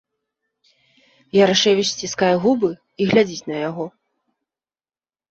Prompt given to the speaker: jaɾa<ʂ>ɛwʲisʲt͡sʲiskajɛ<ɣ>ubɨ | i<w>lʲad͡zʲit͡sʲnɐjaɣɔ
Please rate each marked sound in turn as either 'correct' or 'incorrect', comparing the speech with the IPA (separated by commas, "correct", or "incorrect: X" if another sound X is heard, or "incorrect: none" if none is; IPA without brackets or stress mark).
correct, correct, incorrect: ɣ